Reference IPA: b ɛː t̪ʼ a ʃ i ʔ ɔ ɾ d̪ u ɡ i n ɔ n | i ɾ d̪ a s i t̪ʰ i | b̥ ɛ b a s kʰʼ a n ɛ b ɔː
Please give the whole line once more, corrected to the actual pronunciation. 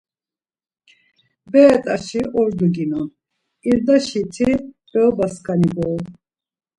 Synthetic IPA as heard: b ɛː t̪ʼ a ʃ i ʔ ɔ ɾ d̪ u ɡ i n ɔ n | i ɾ d̪ a ʃ i t̪ʰ i | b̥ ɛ b a s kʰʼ a n i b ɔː